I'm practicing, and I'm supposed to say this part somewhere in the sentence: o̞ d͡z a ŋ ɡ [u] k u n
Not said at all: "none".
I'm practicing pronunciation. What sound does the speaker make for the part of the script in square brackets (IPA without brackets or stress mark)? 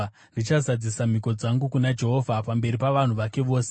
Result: u